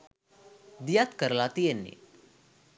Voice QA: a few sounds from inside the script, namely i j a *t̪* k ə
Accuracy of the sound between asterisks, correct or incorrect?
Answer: correct